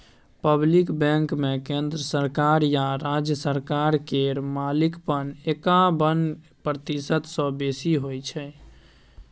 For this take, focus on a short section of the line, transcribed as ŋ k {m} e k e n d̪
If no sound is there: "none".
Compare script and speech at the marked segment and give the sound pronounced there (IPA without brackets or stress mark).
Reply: m